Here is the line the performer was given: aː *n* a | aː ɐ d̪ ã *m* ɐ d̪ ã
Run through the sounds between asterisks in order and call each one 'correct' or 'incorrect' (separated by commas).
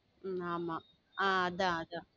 incorrect, incorrect